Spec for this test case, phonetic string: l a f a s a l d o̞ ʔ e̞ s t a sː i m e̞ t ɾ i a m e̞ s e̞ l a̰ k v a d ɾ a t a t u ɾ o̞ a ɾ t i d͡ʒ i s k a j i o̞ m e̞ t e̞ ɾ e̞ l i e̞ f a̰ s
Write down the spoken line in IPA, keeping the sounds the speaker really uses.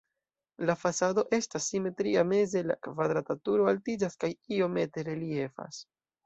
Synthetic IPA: l a f a s a d o̞ ʔ e̞ s t a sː i m e̞ t ɾ i a m e̞ z e̞ l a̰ k v a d ɾ a t a t u ɾ o̞ a l t i d͡ʒ a s k a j i o̞ m e̞ t e̞ ɾ e̞ l i e̞ f a̰ s

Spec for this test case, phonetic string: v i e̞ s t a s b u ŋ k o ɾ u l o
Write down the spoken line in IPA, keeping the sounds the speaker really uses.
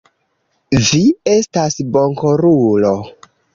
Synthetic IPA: v i e̞ s t a s b o ŋ k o ɾ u l o

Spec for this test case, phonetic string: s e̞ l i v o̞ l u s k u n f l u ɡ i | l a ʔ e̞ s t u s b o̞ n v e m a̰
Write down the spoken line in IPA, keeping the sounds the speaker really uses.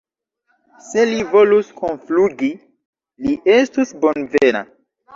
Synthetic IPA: s e̞ l i v o̞ l u s k o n f l u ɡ i | l i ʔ e̞ s t u s b o̞ n v e n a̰

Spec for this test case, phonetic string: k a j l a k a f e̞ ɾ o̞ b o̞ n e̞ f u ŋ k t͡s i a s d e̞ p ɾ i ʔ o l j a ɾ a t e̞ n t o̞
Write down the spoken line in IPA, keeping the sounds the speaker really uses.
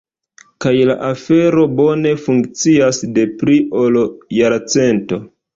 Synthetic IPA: k a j l a ʔ a f e̞ ɾ o̞ b o̞ n e̞ f u ŋ k t͡s i a s d e̞ p ɾ i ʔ o l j a ɾ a t͡s e̞ n t o̞

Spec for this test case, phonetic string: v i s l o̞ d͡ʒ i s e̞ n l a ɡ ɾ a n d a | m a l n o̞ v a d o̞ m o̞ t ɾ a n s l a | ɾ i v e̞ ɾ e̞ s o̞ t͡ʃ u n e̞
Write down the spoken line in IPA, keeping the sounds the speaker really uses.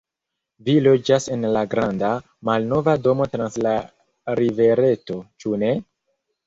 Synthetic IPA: v i l o̞ d͡ʒ a s e̞ n l a ɡ ɾ a n d a | m a l n o̞ v a d o̞ m o̞ t ɾ a n s l a | ɾ i v e̞ ɾ e̞ t o̞ t͡ʃ u n e̞

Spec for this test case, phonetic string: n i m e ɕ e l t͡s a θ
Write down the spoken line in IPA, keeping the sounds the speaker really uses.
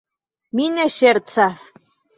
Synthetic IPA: m i n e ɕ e ɾ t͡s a θ

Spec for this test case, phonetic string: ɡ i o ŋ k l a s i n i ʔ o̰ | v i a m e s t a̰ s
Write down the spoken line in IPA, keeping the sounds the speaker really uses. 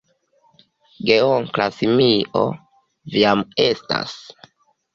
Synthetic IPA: ɡ e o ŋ k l a s i m i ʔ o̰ | v i a m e s t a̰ s

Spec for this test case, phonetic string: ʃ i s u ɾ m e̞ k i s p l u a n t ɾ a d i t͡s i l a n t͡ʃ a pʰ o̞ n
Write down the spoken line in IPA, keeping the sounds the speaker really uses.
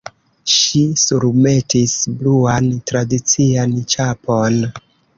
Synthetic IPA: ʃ i s u ɾ m e̞ t i s b l u a n t ɾ a d i t͡s i a n t͡ʃ a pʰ o̞ n

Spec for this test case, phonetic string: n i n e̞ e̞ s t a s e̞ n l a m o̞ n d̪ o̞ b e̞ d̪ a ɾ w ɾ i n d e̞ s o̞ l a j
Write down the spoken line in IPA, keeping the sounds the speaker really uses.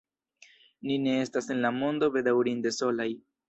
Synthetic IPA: n i n e̞ e̞ s t a s e̞ n l a m o̞ n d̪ o̞ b e̞ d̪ a w ɾ i n d e̞ s o̞ l a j

